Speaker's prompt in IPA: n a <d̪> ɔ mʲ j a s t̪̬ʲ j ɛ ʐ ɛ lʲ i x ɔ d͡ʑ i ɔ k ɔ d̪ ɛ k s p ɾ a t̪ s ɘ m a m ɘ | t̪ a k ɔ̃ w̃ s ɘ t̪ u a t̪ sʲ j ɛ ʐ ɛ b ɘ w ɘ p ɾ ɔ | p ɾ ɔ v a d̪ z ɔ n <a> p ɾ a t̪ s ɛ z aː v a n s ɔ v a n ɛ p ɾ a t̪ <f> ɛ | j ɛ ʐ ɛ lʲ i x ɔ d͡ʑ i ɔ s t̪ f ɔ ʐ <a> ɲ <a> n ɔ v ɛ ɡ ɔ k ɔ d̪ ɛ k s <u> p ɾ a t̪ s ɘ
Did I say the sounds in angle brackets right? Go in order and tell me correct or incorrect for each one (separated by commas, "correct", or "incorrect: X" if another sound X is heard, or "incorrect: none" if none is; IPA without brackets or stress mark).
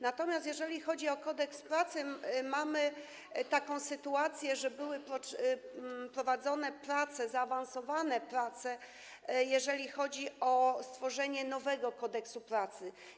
incorrect: t̪, incorrect: ɛ, incorrect: s, incorrect: ɛ, incorrect: ɛ, correct